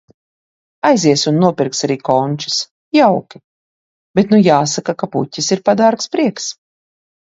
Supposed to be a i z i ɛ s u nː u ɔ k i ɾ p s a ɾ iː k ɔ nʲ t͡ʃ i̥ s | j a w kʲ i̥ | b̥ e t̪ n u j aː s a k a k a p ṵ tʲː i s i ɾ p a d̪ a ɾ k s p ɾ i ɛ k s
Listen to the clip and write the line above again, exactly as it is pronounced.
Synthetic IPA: a j z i ɛ s u nː u ɔ p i ɾ k s a ɾ iː k ɔ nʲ t͡ʃ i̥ s | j a w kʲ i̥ | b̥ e t̪ n u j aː s a k a k a p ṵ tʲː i s i ɾ p a d̪ a ɾ k s p ɾ i ɛ k s